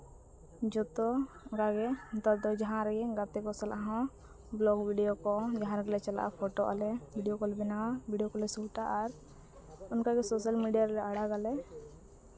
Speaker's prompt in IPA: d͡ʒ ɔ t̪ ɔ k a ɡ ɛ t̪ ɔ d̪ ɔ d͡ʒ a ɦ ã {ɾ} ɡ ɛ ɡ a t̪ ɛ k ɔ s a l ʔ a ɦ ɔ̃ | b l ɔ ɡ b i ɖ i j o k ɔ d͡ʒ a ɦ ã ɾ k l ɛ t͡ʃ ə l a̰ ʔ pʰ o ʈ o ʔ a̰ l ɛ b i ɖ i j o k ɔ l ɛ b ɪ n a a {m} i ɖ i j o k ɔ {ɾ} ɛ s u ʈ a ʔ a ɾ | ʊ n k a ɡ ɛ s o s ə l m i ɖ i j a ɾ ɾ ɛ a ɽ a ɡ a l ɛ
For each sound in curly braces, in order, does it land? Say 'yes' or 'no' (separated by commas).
yes, no, no